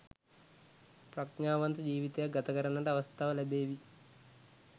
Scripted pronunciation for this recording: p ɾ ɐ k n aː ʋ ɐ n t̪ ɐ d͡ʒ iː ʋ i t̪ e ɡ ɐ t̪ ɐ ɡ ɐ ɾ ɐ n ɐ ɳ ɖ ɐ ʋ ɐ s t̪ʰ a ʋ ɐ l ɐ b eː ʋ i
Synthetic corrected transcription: p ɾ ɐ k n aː ʋ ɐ n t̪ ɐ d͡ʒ iː ʋ i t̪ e ɡ ɐ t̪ ɐ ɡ ɐ ɾ ɐ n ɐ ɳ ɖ ɐ ʋ ɐ s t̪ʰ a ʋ ɐ l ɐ b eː ʋ i